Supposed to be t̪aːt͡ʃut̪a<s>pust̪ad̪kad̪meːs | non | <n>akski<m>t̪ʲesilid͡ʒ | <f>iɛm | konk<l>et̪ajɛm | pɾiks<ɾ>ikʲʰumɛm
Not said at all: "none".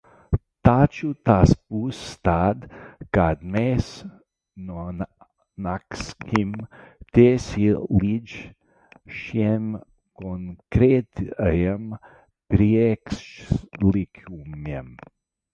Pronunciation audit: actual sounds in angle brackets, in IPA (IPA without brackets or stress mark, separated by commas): s, n, m, ʃ, ɾ, l